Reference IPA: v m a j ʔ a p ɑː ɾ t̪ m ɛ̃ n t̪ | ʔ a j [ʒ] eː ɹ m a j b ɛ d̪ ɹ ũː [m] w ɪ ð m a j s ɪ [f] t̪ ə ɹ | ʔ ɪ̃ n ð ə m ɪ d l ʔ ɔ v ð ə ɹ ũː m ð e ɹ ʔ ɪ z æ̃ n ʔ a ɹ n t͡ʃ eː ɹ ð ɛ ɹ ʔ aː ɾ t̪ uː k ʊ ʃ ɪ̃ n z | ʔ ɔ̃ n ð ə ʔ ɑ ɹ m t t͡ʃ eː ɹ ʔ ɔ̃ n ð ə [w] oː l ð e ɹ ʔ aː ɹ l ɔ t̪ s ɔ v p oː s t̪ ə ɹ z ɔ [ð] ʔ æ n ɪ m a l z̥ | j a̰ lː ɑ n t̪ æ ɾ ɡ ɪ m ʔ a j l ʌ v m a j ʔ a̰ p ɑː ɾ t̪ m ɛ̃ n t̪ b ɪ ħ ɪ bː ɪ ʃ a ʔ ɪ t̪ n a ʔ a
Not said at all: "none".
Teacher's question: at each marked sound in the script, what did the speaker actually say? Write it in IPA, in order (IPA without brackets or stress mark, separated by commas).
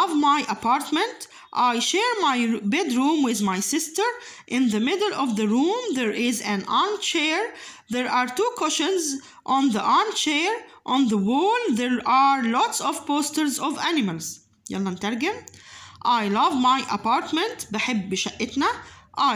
ʃ, m, s, w, v